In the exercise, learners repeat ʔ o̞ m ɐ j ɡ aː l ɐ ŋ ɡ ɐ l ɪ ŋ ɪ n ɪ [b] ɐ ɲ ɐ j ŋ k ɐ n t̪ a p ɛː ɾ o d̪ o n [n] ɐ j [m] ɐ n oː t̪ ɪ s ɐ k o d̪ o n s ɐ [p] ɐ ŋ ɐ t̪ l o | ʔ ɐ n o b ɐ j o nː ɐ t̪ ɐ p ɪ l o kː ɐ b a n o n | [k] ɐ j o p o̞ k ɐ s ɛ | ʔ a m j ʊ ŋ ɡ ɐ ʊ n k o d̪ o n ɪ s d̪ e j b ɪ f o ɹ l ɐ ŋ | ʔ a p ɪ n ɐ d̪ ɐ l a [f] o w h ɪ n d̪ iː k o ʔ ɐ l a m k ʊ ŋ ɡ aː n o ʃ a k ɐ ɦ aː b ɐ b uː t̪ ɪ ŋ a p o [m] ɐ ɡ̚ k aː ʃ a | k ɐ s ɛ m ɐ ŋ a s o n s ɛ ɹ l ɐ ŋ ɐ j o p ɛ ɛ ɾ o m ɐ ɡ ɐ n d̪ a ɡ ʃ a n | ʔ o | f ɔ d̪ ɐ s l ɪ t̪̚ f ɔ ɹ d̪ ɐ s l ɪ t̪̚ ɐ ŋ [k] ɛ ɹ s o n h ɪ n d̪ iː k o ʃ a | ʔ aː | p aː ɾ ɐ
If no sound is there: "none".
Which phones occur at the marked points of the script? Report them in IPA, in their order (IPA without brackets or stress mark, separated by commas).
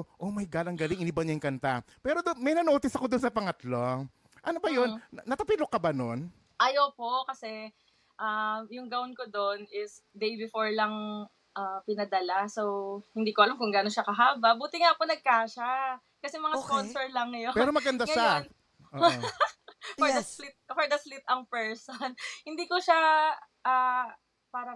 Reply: b, m, n, p, ʔ, s, n, p